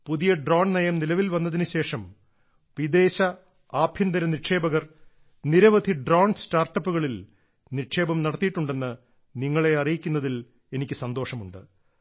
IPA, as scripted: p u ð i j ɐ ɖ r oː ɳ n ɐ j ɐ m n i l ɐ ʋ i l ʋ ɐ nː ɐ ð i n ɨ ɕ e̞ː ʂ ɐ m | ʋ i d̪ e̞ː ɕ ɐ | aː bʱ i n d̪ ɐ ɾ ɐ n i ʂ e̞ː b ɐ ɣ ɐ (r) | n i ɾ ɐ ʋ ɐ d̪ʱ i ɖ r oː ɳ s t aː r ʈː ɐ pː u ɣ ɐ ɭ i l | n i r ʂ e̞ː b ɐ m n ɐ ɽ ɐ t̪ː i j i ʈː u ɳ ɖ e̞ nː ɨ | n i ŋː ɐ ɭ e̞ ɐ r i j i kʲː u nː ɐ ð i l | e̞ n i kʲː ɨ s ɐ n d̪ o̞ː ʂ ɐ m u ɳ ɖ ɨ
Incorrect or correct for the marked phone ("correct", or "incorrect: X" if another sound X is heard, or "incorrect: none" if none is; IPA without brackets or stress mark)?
correct